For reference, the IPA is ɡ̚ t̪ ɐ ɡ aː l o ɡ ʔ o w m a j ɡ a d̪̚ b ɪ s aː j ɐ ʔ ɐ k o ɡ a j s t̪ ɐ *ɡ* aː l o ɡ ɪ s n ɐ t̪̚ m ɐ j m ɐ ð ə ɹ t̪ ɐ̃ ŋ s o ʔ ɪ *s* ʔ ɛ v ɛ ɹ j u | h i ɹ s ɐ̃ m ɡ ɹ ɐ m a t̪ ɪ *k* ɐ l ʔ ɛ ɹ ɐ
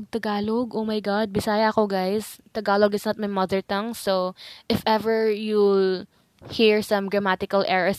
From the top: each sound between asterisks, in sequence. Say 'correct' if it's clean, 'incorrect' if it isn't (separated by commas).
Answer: correct, incorrect, correct